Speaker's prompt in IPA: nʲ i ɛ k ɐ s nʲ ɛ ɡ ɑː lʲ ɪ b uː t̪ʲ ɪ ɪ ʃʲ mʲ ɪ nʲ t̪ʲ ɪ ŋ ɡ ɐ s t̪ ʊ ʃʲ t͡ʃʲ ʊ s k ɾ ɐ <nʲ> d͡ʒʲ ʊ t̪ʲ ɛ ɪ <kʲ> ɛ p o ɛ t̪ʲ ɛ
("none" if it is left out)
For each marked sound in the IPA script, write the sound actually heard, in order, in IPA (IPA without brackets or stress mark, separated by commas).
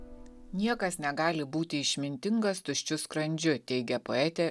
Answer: nʲ, ɡʲ